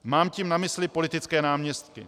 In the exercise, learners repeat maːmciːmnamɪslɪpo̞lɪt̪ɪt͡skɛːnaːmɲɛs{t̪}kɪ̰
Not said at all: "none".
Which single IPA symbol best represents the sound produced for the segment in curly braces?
t̪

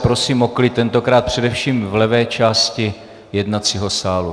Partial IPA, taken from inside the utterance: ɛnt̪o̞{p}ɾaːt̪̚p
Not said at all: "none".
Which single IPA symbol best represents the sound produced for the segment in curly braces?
k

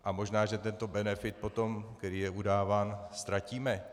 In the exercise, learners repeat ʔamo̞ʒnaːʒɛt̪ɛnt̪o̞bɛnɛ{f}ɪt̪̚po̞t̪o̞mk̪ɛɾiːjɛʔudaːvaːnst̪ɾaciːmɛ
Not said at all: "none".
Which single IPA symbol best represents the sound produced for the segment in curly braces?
f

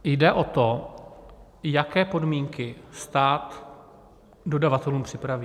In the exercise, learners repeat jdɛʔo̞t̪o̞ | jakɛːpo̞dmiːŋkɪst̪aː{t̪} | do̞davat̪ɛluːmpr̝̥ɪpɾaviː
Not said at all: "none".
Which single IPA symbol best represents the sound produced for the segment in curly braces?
t̪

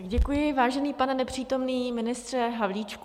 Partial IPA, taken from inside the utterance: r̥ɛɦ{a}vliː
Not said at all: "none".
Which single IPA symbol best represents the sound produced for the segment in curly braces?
a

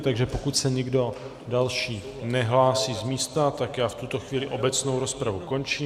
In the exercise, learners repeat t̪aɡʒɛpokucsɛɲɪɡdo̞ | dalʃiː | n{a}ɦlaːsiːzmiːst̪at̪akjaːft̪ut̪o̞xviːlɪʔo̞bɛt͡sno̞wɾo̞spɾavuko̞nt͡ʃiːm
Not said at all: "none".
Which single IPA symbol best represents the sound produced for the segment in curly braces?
ɛ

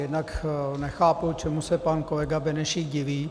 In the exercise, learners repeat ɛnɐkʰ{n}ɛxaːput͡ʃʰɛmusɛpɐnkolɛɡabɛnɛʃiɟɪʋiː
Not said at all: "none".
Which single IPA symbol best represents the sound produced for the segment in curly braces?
n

